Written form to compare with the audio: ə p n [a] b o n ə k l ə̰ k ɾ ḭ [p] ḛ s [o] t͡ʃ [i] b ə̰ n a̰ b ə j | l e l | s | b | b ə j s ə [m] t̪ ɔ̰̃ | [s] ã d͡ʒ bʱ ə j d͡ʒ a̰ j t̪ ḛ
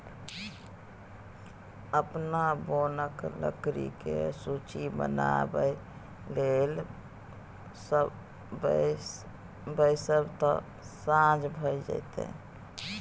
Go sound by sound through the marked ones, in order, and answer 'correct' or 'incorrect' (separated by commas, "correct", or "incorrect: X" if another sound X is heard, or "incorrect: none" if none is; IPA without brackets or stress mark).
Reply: correct, incorrect: k, incorrect: u, correct, incorrect: b, correct